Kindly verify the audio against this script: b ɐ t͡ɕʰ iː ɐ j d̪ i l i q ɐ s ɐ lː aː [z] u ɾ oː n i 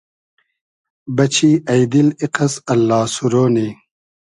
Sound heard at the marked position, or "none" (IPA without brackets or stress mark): s